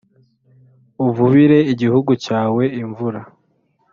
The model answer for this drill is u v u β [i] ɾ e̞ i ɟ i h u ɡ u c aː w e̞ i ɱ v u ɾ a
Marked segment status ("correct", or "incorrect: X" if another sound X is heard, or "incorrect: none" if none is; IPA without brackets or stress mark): correct